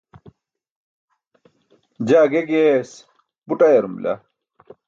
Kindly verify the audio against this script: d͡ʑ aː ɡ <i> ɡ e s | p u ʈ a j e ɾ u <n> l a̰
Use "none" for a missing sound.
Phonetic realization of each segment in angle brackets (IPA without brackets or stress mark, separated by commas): e, m